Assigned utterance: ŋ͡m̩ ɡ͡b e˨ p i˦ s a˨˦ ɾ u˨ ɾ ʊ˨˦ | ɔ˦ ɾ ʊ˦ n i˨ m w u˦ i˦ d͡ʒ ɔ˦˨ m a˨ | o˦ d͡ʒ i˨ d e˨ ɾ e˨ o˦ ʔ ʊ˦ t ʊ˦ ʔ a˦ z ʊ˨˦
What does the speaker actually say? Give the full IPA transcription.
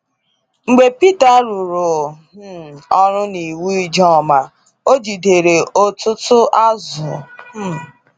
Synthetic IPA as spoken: ŋ͡m̩ ɡ͡b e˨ p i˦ t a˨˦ ɾ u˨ ɾ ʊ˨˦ | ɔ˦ ɾ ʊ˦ n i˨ w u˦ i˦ d͡ʒ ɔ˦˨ m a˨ | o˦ d͡ʒ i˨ d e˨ ɾ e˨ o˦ t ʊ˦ t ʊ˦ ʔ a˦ z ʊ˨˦